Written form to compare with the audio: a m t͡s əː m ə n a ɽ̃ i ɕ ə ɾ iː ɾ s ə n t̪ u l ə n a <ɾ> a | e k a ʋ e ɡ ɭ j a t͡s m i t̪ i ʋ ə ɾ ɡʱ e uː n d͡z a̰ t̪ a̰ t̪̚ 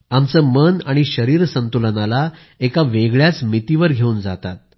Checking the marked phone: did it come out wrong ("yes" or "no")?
yes